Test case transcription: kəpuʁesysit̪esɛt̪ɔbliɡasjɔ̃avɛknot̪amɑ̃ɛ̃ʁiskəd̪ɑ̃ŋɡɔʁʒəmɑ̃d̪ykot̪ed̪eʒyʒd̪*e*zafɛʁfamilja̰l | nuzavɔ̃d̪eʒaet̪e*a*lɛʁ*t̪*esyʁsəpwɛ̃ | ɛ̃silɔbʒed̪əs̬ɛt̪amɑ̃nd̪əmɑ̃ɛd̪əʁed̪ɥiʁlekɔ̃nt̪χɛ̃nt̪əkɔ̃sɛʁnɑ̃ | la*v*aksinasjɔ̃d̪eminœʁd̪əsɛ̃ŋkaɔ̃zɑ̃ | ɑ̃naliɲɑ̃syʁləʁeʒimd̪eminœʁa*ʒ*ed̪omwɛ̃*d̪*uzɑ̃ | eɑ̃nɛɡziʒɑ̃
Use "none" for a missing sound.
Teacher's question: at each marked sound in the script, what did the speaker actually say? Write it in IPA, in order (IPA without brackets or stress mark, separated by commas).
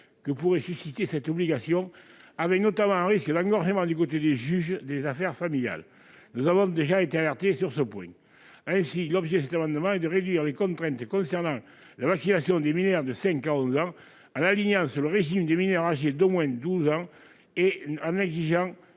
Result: e, a, t̪, v, ʒ, d̪